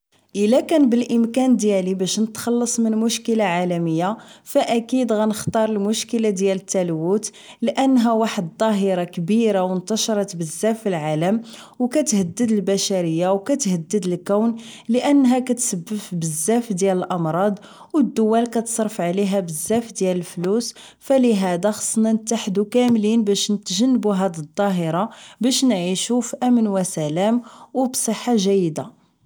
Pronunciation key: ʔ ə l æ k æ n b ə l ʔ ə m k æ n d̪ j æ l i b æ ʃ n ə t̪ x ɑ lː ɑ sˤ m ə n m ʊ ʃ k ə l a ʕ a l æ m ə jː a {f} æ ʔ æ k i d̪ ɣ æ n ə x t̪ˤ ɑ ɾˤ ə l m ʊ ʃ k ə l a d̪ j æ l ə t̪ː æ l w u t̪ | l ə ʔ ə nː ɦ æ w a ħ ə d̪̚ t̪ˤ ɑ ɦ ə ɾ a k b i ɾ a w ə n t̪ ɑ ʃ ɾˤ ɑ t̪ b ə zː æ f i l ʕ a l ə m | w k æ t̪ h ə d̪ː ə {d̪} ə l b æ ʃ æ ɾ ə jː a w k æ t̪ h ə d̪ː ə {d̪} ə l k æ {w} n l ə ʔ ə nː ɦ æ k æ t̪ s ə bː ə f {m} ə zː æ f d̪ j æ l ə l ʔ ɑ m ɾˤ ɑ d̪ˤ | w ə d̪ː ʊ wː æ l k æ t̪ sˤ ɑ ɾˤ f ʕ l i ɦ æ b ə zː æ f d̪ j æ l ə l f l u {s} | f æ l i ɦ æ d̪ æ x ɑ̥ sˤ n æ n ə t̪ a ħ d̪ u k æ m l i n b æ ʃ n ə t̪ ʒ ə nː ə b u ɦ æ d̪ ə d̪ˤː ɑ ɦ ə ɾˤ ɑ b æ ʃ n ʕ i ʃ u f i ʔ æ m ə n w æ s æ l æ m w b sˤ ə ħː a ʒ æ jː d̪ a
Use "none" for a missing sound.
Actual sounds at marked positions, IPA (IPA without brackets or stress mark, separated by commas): f, d̪, d̪, w, b, s